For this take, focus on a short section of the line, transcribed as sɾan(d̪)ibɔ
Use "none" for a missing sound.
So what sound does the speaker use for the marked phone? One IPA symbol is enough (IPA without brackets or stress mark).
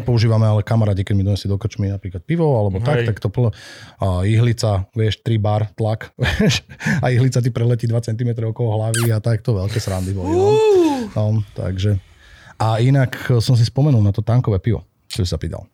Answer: d̪